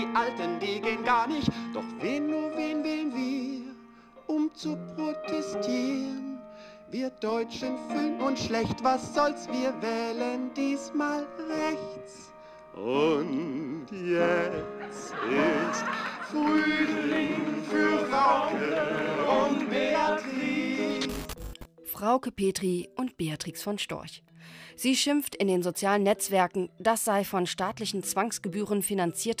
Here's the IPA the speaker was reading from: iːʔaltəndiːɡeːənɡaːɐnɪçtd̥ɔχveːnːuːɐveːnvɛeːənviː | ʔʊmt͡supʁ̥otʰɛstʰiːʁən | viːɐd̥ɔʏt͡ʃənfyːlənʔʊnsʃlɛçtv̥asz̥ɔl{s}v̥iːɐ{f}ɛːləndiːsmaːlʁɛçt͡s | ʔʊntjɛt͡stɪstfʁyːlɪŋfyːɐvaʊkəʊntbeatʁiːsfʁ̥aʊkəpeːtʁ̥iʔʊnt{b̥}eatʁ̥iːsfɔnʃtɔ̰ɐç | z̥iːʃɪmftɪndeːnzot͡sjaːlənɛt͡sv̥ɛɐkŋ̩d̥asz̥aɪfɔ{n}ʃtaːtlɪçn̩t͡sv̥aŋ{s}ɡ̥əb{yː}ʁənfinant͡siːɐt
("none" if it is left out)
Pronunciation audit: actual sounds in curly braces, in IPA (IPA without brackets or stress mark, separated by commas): s, v, b̥, n, s, yː